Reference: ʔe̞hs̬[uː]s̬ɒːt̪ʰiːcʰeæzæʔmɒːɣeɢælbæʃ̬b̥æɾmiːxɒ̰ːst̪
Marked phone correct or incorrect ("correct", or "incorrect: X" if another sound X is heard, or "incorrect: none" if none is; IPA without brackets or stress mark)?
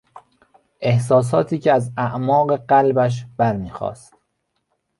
incorrect: ɒː